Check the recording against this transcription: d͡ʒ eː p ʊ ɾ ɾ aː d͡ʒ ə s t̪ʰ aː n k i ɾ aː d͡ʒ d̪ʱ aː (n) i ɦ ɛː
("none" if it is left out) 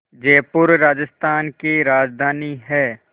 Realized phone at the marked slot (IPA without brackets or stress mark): n